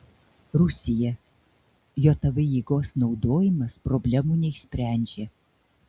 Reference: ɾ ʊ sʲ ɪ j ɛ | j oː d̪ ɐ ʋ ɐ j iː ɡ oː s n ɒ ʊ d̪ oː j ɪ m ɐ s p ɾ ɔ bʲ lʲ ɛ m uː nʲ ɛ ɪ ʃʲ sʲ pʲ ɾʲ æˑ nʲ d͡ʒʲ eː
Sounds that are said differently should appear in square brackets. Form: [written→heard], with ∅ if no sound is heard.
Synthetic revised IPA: ɾ ʊ sʲ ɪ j ɛ | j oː [d̪→t̪] ɐ ʋ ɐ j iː ɡ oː s n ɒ ʊ d̪ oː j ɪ m ɐ s p ɾ ɔ bʲ lʲ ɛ m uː nʲ ɛ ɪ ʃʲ sʲ pʲ ɾʲ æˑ nʲ d͡ʒʲ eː

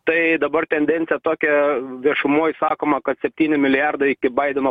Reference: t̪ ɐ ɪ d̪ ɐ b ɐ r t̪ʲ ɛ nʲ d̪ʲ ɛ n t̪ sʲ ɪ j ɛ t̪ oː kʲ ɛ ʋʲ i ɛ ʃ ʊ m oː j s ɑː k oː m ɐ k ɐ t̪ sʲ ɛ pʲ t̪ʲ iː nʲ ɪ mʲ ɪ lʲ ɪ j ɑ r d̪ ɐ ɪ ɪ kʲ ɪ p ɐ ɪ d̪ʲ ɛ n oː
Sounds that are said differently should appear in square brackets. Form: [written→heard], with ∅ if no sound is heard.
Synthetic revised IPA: t̪ ɐ ɪ d̪ ɐ b ɐ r t̪ʲ ɛ nʲ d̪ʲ ɛ n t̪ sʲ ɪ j ɛ t̪ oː kʲ ɛ ʋʲ i ɛ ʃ ʊ m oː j s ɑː k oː m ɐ k ɐ t̪ sʲ ɛ pʲ t̪ʲ iː nʲ ɪ mʲ ɪ lʲ ɪ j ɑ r d̪ ɐ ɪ ɪ kʲ ɪ [p→b] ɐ ɪ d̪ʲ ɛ n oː

